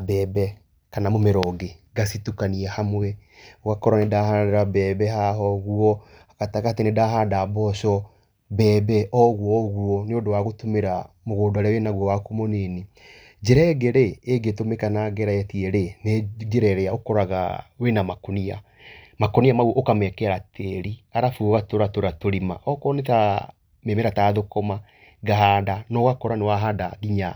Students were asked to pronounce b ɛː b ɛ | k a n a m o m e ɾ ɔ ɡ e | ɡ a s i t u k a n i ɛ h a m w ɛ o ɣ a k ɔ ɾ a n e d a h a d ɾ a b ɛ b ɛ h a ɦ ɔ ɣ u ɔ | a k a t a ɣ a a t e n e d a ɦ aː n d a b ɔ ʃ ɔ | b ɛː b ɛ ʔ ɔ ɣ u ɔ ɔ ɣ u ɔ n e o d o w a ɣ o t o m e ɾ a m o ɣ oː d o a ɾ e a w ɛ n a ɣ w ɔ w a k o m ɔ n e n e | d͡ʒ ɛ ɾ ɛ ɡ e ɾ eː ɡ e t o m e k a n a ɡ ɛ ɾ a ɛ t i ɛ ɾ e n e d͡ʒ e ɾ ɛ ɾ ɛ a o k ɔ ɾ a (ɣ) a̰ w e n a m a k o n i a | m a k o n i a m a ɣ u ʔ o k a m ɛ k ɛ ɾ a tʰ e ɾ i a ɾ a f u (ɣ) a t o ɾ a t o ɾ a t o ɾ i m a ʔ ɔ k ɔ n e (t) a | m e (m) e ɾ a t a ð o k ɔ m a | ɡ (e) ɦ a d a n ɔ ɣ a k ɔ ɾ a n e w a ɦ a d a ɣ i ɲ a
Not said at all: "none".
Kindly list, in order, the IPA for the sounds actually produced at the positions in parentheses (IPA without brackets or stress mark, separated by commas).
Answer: ɣ, ɣ, t, m, a